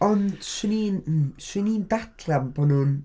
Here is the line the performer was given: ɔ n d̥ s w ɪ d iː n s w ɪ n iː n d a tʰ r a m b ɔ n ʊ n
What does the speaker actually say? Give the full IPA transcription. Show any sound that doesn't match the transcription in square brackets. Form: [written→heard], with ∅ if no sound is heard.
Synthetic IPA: ɔ n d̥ s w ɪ [d→n] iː n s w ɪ n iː n d a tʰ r a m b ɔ n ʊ n